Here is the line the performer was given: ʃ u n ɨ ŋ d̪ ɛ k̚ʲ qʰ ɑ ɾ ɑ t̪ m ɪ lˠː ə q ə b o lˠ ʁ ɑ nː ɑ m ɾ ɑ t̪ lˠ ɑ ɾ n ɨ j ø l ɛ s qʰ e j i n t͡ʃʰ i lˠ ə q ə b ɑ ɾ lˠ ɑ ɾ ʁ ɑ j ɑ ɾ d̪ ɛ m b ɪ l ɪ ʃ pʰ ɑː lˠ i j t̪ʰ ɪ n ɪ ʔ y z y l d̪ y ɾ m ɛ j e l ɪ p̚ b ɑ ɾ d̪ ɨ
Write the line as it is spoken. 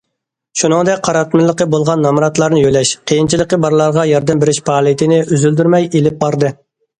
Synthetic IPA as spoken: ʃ u n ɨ ŋ d̪ ɛ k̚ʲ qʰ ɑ ɾ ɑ t̪ m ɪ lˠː ə q ə b o lˠ ʁ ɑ nː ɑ m ɾ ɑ t̪ lˠ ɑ ɾ n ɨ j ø l ɛ ʃ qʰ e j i n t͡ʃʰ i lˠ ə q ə b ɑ ɾ lˠ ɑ ɾ ʁ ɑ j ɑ ɾ d̪ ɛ m b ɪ ɾ ɪ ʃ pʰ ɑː lˠ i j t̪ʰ ɪ n ɪ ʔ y z y l d̪ y ɾ m ɛ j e l ɪ p̚ b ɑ ɾ d̪ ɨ

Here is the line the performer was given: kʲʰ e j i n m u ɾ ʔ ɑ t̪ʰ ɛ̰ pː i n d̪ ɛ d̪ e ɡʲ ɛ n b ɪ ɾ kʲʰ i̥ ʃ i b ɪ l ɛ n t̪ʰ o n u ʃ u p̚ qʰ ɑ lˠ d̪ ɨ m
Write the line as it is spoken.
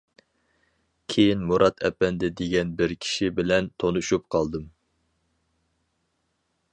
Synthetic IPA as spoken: kʲʰ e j i n m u ɾ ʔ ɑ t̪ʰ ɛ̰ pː ɛ n d̪ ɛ d̪ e ɡʲ ɛ n b ɪ ɾ kʲʰ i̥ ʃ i b ɪ l ɛ n t̪ʰ o n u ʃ u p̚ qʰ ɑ lˠ d̪ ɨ m

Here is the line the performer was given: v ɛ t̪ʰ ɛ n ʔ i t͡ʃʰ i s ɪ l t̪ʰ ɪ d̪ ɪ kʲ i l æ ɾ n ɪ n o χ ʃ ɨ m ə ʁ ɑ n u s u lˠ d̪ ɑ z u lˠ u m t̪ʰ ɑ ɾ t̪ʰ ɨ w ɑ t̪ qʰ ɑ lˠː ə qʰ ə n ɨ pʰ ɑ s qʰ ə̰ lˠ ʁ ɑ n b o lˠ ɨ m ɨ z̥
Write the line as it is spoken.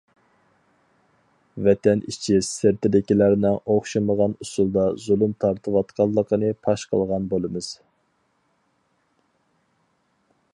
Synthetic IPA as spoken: v ɛ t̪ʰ ɛ n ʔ i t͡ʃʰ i s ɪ ɾ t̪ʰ ɪ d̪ ɪ kʲ i l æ ɾ n ɪ ŋ o χ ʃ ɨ m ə ʁ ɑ n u s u lˠ d̪ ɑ z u lˠ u m t̪ʰ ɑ ɾ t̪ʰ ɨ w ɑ t̪ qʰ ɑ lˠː ə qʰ ə n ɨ pʰ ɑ ʃ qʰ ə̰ lˠ ʁ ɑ n b o lˠ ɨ m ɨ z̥

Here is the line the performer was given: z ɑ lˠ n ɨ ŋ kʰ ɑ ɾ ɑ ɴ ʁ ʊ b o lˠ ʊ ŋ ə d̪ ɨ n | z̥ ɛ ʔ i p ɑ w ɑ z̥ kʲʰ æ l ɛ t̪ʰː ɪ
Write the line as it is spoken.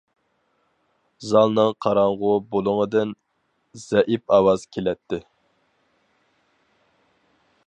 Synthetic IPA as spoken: z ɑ lˠ n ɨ ŋ qʰ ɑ ɾ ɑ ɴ ʁ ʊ b o lˠ ʊ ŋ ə d̪ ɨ n | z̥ ɛ ʔ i p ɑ w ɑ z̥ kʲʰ e l ɛ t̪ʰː ɪ

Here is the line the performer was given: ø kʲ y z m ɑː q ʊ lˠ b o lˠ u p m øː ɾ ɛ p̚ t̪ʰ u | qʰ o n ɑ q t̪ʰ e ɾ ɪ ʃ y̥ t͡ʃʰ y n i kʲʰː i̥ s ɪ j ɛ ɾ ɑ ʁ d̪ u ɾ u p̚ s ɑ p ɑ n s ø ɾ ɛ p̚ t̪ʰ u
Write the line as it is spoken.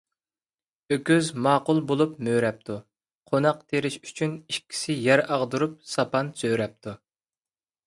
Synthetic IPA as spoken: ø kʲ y z m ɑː q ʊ lˠ b o lˠ u p m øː ɾ ɛ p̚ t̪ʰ u | qʰ o n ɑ q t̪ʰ e ɾ ɪ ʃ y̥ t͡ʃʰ y n i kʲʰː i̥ s ɪ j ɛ ɾ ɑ ʁ d̪ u ɾ u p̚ s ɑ p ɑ n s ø ɾ ɛ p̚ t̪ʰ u

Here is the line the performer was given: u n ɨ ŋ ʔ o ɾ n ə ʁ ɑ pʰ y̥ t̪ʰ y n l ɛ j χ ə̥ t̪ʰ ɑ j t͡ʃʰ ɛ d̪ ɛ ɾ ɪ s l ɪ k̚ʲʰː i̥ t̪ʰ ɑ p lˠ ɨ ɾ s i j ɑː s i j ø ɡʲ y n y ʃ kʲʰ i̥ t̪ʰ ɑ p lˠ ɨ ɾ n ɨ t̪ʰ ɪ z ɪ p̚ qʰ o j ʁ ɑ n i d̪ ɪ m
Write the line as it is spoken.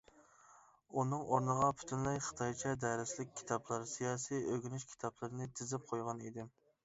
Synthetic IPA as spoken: u n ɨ ŋ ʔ o ɾ n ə ʁ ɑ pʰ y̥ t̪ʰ y n l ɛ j χ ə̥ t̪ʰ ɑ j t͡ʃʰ ɛ d̪ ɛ ɾ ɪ s l ɪ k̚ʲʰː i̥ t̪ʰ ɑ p lˠ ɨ ɾ s i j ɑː s i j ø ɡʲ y n y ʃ kʲʰ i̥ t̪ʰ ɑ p lˠ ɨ ɾ n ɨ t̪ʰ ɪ z ɪ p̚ qʰ o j ʁ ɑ n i d̪ ɪ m

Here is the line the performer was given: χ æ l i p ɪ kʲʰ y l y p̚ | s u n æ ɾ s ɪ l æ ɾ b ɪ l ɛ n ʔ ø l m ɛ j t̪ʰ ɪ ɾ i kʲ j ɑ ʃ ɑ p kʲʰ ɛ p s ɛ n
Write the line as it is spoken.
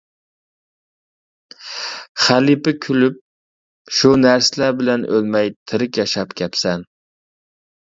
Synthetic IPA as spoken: χ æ l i p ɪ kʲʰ y l y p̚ | ʃ u n æ ɾ s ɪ l æ ɾ b ɪ l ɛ n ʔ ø l m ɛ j t̪ʰ ɪ ɾ ɪ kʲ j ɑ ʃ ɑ p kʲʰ ɛ p s ɛ n

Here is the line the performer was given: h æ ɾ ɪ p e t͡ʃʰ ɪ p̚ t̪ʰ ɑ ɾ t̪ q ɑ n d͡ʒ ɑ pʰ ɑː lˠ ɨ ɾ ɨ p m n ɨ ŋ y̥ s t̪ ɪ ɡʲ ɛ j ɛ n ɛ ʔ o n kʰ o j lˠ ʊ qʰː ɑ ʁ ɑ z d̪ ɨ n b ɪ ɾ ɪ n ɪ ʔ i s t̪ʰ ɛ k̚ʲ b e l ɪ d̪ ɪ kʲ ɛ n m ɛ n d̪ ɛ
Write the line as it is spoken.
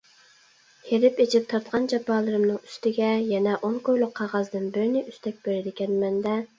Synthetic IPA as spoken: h e ɾ ɪ p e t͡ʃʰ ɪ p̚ t̪ʰ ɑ ɾ t̪ q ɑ n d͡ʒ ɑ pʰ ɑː lˠ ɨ ɾ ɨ m n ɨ ŋ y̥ s t̪ ɪ ɡʲ ɛ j ɛ n ɛ ʔ o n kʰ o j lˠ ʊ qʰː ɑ ʁ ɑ z d̪ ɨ n b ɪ ɾ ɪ n ɪ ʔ y s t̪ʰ ɛ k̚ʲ b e ɾ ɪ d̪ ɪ kʲ ɛ n m ɛ n d̪ ɛ

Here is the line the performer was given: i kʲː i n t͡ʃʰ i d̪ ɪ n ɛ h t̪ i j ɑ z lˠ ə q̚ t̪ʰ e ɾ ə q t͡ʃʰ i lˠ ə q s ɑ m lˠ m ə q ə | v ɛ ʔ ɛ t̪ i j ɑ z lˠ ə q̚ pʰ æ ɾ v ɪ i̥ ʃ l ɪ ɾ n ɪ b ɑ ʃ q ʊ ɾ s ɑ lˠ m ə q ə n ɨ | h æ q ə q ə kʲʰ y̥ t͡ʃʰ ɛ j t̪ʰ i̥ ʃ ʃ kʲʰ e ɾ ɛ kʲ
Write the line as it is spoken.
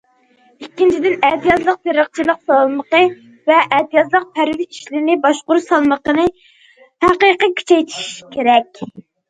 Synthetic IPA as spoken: i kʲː i n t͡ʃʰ i d̪ ɪ n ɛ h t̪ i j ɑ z lˠ ə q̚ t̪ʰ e ɾ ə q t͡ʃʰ i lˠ ə q s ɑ lˠ m ə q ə | v ɛ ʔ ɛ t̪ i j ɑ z lˠ ə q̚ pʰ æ ɾ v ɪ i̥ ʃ l ɪ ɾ n ɪ b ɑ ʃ q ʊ ɾ s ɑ lˠ m ə q ə n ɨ | h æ q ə q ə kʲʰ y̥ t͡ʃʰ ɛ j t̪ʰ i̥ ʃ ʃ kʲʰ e ɾ ɛ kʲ

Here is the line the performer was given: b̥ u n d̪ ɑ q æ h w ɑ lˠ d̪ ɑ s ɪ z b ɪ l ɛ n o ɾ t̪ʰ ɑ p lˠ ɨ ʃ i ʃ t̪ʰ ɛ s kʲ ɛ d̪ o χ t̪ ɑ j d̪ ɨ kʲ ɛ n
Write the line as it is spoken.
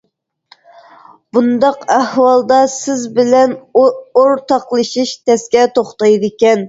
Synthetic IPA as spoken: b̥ u n d̪ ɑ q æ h w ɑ lˠ d̪ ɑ s ɪ z b ɪ l ɛ n o ɾ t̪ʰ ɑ q lˠ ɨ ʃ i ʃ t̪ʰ ɛ s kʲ ɛ t̪ o χ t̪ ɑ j d̪ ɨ kʲ ɛ n

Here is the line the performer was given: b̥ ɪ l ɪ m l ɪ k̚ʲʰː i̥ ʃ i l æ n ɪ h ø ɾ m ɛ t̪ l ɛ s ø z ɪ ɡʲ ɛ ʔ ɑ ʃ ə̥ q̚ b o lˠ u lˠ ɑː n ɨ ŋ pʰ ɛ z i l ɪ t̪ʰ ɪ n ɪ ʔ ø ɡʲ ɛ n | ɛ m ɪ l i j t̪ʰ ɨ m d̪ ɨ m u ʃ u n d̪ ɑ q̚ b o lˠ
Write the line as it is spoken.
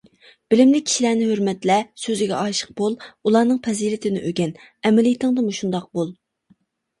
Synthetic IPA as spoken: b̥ ɪ l ɪ m l ɪ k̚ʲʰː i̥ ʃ i l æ n ɪ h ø ɾ m ɛ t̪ l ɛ s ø z ɪ ɡʲ ɛ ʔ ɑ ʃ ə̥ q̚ b o lˠ u lˠ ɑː n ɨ ŋ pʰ ɛ z i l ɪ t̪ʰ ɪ n ɪ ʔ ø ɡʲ ɛ n | ɛ m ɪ l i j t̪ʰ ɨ ŋ d̪ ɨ m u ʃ u n d̪ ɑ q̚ b o lˠ

